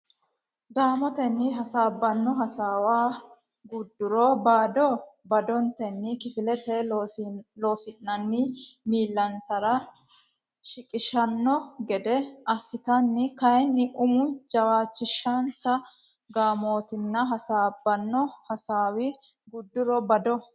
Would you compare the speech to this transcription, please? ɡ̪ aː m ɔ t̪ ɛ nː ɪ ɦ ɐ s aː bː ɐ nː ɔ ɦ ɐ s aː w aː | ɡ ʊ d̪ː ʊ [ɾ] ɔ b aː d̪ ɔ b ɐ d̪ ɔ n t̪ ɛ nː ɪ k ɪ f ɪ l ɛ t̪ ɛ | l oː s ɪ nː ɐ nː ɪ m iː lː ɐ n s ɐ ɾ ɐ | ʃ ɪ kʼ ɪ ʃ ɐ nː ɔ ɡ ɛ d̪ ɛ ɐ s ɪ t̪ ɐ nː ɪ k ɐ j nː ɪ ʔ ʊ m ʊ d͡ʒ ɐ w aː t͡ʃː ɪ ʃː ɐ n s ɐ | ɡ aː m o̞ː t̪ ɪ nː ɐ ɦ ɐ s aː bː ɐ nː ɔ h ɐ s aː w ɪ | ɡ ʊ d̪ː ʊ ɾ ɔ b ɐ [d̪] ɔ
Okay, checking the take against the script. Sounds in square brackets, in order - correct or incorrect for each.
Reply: correct, correct

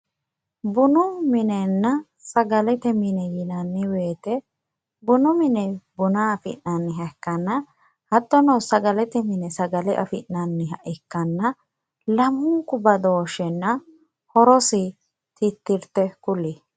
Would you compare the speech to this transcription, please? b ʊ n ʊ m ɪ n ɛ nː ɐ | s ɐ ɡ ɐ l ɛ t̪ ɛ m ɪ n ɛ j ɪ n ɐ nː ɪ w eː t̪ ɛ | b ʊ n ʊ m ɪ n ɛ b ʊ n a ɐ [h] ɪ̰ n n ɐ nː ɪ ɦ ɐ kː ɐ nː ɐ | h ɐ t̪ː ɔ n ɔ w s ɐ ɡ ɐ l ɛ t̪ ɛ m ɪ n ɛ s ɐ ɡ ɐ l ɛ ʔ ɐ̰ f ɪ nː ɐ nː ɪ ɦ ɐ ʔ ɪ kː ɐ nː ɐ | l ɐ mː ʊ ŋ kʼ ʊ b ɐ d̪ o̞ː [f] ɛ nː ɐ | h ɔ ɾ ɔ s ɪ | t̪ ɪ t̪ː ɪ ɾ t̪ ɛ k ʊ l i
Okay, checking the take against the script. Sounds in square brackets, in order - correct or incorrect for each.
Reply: incorrect: f, incorrect: ʃ

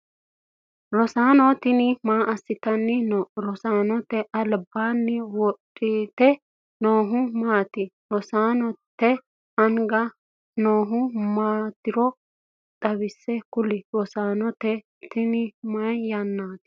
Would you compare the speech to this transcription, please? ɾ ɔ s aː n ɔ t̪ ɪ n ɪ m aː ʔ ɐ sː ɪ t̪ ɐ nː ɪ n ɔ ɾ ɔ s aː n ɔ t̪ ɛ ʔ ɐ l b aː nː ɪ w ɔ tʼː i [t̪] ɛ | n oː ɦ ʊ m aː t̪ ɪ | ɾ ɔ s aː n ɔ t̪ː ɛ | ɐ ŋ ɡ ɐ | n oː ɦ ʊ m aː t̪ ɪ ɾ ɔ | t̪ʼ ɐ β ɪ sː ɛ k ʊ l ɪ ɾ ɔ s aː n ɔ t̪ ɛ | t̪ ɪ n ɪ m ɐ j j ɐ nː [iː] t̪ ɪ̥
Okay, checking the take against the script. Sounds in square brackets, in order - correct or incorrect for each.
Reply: correct, incorrect: aː

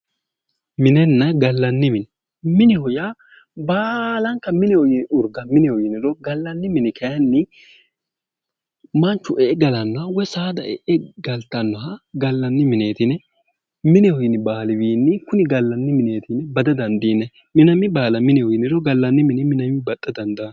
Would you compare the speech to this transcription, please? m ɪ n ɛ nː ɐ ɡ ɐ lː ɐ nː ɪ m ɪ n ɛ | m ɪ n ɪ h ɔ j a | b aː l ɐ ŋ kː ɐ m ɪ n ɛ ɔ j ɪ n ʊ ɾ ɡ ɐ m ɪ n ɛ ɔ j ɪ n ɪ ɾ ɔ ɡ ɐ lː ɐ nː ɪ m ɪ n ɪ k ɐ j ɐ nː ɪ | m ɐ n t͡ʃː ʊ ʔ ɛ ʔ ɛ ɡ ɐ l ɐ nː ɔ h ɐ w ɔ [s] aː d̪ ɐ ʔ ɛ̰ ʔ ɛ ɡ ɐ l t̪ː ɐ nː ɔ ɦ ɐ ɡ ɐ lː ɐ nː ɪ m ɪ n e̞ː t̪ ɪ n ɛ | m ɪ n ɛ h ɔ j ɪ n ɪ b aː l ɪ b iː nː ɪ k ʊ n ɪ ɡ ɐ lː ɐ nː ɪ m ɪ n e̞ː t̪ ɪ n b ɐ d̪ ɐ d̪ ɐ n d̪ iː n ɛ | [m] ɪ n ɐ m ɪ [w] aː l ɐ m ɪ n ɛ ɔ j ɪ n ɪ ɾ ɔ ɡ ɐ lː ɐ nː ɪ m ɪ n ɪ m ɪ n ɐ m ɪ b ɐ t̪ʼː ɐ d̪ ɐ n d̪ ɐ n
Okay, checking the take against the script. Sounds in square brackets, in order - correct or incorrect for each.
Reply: correct, correct, incorrect: b

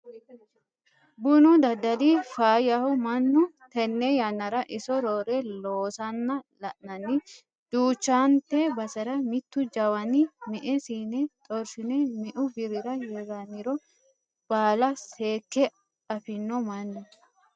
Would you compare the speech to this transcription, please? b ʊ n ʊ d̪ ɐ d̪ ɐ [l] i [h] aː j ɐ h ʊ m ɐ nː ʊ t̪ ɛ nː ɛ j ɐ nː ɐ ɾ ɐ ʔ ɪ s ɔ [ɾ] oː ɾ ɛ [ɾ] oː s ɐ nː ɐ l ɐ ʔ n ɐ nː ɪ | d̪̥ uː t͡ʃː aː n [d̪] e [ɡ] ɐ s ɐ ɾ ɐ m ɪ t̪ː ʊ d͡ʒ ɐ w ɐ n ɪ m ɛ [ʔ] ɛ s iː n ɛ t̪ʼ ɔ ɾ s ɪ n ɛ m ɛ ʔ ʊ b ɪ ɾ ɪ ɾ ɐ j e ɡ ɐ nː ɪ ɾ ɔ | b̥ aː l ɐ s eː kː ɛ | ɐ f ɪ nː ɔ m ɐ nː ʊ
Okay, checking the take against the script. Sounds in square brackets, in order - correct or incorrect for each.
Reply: correct, incorrect: f, correct, incorrect: l, incorrect: t̪, incorrect: b, correct

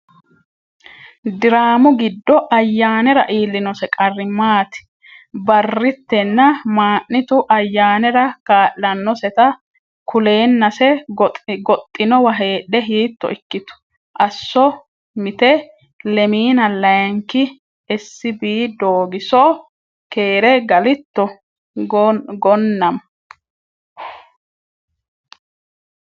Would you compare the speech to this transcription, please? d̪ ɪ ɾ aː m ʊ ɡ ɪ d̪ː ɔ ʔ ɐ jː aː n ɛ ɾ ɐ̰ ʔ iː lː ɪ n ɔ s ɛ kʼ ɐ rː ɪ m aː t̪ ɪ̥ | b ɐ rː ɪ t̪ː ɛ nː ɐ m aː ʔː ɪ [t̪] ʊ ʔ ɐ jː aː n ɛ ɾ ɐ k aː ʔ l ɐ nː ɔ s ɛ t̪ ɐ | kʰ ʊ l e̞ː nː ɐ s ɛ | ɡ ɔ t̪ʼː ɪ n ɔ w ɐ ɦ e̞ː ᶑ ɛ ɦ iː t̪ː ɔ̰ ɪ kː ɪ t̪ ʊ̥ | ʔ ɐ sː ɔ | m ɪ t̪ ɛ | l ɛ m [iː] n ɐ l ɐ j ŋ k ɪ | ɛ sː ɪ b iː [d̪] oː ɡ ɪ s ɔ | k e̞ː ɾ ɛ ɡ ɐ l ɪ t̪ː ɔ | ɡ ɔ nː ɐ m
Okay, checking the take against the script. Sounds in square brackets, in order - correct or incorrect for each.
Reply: correct, correct, correct

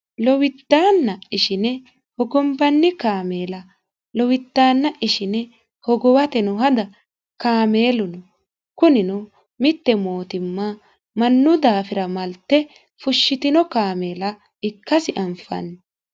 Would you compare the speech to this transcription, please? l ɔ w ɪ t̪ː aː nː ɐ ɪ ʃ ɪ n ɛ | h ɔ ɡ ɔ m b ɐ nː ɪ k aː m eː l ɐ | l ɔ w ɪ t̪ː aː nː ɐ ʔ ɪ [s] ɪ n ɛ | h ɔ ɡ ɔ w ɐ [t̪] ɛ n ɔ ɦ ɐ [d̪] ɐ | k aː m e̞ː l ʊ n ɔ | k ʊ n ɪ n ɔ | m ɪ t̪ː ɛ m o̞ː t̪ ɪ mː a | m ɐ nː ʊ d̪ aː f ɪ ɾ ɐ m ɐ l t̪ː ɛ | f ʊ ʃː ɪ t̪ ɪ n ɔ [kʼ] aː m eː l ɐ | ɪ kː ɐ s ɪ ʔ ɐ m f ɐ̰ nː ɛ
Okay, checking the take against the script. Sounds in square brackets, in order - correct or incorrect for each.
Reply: incorrect: ʃ, correct, correct, incorrect: k

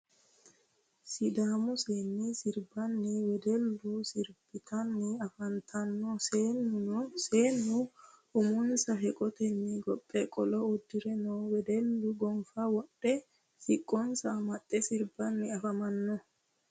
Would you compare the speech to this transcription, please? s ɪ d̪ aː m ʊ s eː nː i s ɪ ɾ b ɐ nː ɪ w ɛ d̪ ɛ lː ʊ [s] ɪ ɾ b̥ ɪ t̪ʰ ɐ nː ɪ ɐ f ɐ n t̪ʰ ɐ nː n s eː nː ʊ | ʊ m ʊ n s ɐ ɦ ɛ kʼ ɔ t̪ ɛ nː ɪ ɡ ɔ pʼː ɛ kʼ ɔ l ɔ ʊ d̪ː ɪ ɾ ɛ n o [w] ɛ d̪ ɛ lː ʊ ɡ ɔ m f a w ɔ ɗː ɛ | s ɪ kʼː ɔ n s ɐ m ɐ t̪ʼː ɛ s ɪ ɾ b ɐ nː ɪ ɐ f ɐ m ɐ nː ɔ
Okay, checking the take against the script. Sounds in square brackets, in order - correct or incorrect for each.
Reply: correct, correct

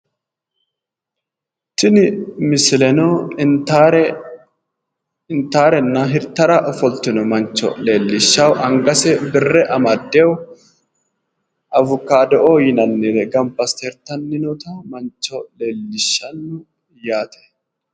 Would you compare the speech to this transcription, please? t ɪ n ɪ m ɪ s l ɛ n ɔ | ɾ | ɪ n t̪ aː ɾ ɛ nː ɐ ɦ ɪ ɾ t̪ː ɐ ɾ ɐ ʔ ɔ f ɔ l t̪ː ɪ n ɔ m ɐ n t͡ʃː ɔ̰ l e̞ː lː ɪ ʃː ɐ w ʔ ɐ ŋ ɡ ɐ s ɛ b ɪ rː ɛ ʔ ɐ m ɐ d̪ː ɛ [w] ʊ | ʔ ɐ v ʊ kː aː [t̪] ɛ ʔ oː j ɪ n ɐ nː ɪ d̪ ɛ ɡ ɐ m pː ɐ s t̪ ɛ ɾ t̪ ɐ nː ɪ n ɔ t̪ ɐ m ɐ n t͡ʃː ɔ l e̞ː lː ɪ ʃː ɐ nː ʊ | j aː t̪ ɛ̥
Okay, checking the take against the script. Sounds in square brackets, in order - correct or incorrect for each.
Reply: correct, incorrect: d̪

